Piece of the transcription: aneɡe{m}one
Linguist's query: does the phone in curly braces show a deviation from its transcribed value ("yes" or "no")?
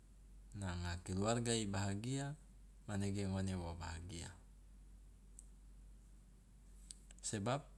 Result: yes